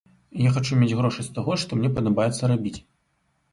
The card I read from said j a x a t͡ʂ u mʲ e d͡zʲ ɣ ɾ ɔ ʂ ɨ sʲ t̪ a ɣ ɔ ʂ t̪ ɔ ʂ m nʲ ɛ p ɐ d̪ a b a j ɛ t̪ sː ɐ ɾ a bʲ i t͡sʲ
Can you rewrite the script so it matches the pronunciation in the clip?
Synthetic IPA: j a x a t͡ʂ u mʲ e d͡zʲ ɣ ɾ ɔ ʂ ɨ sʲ t̪ a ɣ ɔ ʂ t̪ ɔ m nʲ ɛ p ɐ d̪ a b a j ɛ t̪ sː ɐ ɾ a bʲ i t͡sʲ

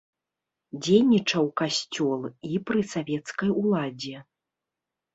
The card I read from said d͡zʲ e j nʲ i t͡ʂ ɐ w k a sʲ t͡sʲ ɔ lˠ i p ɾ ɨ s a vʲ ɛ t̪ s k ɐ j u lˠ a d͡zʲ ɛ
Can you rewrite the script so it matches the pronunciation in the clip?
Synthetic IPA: d͡zʲ e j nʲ i t͡ʂ ɐ w k a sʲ t͡sʲ ɔ lˠ i p ɾ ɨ s a vʲ ɛ t̪ s k ɐ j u lˠ a d͡zʲ ɛ

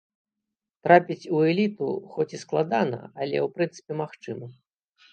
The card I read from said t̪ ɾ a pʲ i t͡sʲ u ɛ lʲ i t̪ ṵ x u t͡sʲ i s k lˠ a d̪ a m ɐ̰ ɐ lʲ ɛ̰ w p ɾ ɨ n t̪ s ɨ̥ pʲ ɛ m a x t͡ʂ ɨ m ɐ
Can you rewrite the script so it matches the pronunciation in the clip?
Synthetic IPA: t̪ ɾ a pʲ i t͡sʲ u ɛ lʲ i t̪ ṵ x ɔ t͡sʲ i s k lˠ a d̪ a n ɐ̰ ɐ lʲ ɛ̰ w p ɾ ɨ n t̪ s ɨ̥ pʲ ɛ m a x t͡ʂ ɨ m ɐ

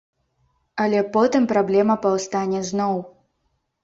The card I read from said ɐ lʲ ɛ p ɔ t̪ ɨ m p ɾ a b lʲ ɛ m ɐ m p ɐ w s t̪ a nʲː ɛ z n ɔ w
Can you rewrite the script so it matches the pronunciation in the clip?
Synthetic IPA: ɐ lʲ ɛ p ɔ t̪ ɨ m p ɾ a b lʲ ɛ m ɐ p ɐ w s t̪ a nʲ ɛ z n ɔ w

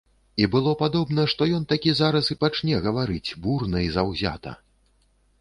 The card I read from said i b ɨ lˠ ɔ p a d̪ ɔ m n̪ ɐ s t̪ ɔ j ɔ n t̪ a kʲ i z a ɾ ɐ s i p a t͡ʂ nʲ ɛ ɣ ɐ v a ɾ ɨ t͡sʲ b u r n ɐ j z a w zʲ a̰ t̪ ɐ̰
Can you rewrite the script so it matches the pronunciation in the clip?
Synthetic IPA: i b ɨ lˠ ɔ p a d̪ ɔ b n̪ ɐ ʂ t̪ ɔ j ɔ n t̪ a kʲ i z a ɾ ɐ s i p a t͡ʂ nʲ ɛ ɣ ɐ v a ɾ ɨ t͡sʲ b u r n ɐ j z a w zʲ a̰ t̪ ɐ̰

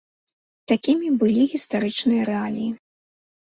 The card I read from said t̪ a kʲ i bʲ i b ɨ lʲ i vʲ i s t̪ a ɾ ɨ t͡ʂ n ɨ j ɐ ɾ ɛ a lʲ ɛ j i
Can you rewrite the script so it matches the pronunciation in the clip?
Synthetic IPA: t̪ a kʲ i mʲ i b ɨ lʲ i ɣʲ i s t̪ a ɾ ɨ t͡ʂ n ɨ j ɐ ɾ ɛ a lʲ i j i

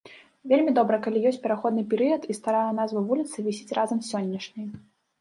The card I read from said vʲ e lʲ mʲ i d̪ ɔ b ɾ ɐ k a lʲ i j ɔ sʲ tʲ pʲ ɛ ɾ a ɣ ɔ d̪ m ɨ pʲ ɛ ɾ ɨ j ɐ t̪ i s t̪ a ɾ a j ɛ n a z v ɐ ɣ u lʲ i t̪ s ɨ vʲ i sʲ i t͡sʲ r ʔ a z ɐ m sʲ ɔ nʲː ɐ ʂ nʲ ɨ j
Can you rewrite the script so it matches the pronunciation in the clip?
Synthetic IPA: vʲ e lʲ mʲ i d̪ ɔ b ɾ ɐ k a lʲ i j ɔ sʲ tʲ pʲ ɛ ɾ a x ɔ d̪ n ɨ pʲ ɛ ɾ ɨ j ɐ t̪ i s t̪ a ɾ a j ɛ n a z v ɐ v u lʲ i t̪ s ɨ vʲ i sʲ i t͡sʲ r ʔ a z ɐ m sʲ ɔ nʲː ɐ ʂ nʲ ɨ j

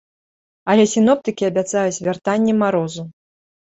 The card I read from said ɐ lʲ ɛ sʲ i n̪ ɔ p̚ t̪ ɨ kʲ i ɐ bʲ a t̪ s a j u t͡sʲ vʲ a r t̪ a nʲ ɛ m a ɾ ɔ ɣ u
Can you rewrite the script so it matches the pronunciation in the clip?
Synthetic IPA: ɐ lʲ ɛ sʲ i n̪ ɔ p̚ t̪ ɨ kʲ i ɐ bʲ a t̪ s a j u t͡sʲ vʲ a r t̪ a nʲː ɛ m a ɾ ɔ z u

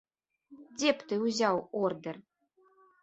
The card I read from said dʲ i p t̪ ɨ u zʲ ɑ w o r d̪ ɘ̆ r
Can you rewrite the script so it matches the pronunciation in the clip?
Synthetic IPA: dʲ e p t̪ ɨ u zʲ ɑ w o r d̪ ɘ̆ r

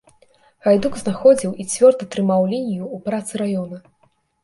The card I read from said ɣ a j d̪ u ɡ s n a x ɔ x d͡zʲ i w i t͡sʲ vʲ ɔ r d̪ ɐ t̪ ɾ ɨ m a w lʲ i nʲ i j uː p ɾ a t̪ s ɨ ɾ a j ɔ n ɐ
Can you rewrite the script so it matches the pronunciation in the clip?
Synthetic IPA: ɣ a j d̪ u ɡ z n a x ɔ d͡zʲ i w i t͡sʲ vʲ ɔ r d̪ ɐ t̪ ɾ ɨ m a w lʲ i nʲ i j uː p ɾ a t̪ s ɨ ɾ a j ɔ n ɐ

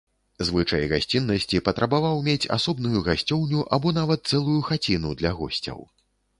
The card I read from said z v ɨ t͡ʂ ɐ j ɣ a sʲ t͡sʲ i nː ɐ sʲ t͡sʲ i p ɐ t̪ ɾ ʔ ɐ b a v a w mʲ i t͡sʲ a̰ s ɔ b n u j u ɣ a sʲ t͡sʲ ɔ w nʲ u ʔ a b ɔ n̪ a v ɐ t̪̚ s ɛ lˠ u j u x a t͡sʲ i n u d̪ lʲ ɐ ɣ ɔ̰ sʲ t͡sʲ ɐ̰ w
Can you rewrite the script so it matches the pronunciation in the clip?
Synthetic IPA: z v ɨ t͡ʂ ɐ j ɣ a sʲ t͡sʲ i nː ɐ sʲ t͡sʲ i p ɐ t̪ ɾ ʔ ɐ b a v a w mʲ e t͡sʲ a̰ s ɔ b n u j u ɣ a sʲ t͡sʲ ɔ w nʲ u ʔ a b ɔ n̪ a v ɐ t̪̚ s ɛ lˠ u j u x a t͡sʲ i n u d̪ lʲ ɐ ɣ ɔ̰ sʲ t͡sʲ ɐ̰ w

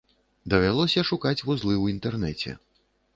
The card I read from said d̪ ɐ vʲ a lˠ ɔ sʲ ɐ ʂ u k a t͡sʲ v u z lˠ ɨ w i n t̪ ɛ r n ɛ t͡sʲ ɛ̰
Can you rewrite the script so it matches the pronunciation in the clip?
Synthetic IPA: d̪ ɐ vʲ a lˠ ɔ sʲ ɐ ʂ u k a t͡sʲ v u z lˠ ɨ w i n t̪ ɛ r n ɛ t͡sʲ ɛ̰

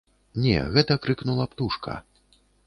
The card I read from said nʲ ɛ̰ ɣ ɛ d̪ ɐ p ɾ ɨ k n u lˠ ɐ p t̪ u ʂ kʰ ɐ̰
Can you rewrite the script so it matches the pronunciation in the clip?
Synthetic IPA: nʲ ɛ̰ ɣ ɛ t̪ ɐ k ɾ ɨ k n u lˠ ɐ p t̪ u ʂ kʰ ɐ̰

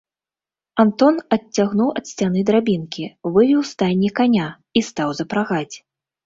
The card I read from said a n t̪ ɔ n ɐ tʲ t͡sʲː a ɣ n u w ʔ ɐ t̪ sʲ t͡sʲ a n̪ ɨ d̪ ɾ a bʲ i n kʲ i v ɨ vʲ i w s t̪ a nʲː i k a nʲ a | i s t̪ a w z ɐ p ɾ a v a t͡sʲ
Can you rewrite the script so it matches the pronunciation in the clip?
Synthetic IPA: a n t̪ ɔ n ɐ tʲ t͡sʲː a ɣ n u w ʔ ɐ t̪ sʲ t͡sʲ a n̪ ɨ d̪ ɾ a bʲ i n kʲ i v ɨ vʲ i w s t̪ a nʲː i k a nʲ a | i s t̪ a w z ɐ p ɾ a ɣ a t͡sʲ

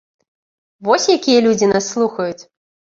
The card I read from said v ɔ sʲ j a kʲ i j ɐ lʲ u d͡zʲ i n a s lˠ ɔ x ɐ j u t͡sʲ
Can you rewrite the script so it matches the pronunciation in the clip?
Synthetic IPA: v ɔ sʲ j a kʲ i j ɐ lʲ u d͡zʲ i n a sː lˠ u x ɐ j u t͡sʲ

